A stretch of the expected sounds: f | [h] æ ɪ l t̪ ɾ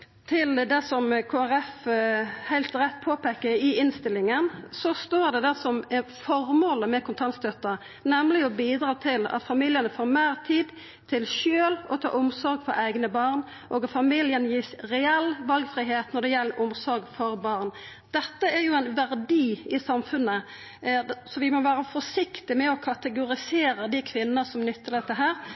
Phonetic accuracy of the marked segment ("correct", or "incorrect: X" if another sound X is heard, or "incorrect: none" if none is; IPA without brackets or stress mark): correct